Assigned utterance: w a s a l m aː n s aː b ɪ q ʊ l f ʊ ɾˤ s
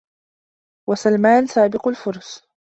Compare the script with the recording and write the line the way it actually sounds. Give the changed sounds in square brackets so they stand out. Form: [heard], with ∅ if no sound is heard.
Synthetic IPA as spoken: w a s a l m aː n s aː b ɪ q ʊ l f ʊ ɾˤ s